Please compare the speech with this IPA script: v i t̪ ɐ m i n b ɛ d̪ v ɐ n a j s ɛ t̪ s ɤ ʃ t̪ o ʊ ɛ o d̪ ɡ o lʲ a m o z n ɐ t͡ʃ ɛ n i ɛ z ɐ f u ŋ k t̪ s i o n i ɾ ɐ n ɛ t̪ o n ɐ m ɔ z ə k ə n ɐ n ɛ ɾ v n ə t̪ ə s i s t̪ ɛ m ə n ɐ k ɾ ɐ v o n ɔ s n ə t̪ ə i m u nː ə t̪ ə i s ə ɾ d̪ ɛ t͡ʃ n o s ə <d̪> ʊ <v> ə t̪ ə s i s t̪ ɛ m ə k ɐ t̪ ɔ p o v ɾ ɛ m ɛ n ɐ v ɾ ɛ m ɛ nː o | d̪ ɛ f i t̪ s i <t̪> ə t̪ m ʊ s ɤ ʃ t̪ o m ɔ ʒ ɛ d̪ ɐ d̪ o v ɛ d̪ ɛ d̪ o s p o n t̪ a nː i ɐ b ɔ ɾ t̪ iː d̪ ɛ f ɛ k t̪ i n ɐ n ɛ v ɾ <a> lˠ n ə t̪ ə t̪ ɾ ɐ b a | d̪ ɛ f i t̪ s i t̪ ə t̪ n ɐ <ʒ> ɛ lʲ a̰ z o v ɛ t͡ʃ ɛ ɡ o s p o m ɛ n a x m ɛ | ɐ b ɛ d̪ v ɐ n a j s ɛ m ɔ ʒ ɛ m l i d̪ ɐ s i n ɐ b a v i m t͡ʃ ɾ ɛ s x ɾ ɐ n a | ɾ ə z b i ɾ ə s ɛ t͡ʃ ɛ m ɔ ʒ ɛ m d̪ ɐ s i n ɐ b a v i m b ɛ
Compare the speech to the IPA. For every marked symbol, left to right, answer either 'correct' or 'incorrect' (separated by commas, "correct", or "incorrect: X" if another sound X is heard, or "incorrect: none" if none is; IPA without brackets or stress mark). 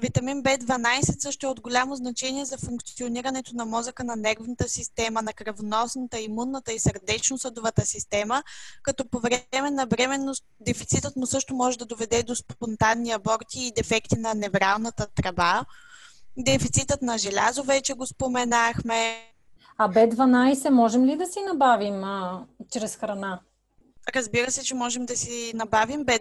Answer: correct, correct, correct, correct, correct